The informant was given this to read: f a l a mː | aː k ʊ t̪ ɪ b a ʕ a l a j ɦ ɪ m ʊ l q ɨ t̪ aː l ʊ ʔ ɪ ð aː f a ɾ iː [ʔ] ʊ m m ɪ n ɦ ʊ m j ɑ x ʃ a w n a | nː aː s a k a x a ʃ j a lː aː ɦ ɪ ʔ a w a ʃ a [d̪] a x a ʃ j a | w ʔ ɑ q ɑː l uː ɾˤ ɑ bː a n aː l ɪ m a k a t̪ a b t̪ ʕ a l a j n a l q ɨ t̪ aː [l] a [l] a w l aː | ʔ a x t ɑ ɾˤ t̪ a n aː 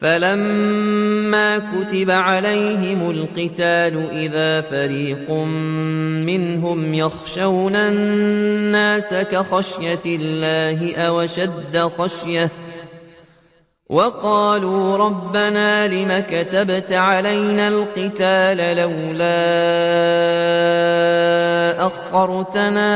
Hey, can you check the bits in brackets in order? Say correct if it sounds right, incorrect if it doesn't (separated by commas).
incorrect, incorrect, correct, correct